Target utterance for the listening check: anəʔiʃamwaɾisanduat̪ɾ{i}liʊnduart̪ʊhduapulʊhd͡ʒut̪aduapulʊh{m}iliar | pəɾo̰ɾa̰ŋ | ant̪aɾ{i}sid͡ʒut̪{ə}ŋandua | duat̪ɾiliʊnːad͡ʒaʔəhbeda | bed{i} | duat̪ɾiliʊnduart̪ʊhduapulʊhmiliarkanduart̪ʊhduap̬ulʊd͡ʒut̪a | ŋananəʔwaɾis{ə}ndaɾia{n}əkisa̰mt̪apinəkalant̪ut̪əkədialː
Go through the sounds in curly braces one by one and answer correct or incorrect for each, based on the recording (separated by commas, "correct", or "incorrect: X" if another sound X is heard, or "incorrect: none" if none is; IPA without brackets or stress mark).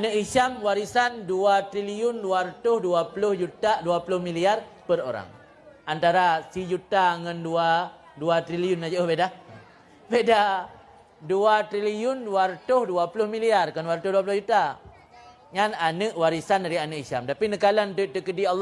correct, correct, incorrect: a, incorrect: a, incorrect: a, incorrect: a, correct